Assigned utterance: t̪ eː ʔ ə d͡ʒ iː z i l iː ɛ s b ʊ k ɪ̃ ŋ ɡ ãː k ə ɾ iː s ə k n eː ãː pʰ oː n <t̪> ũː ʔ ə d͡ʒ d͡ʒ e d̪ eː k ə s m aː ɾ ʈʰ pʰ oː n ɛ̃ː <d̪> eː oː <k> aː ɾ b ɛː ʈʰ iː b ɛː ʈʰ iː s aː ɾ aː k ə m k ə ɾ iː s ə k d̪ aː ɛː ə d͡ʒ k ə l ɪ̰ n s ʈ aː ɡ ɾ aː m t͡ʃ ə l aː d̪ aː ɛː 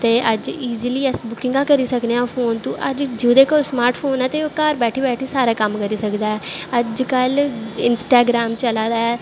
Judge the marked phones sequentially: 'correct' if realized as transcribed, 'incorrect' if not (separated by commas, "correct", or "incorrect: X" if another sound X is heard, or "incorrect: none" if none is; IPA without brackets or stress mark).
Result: correct, incorrect: t̪, correct